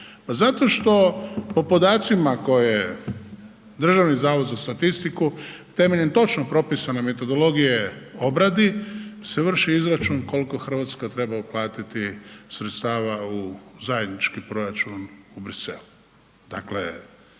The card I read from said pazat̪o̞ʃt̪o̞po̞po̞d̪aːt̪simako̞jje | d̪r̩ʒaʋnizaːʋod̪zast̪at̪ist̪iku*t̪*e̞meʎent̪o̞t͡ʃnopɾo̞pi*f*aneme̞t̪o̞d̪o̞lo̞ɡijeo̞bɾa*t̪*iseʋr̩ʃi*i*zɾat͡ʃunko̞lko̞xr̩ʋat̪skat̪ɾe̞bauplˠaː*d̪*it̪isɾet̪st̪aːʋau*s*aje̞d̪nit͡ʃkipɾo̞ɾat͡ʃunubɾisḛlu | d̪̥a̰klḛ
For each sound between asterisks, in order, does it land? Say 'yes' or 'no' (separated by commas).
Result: yes, no, no, yes, no, no